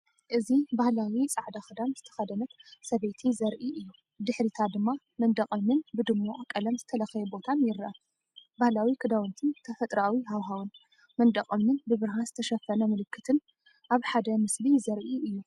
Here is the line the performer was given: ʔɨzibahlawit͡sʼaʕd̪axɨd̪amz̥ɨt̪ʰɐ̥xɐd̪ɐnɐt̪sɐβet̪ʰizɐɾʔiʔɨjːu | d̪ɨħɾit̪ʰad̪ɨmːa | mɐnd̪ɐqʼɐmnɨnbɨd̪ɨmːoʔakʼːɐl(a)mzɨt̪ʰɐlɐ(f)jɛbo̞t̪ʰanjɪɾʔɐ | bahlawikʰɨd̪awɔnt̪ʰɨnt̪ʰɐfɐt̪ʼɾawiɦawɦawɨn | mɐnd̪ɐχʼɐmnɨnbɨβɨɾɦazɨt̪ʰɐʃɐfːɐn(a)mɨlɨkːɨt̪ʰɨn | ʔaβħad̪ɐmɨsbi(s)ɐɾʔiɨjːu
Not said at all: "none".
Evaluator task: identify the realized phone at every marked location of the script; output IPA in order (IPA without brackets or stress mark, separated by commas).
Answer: ɐ, x, ɐ, z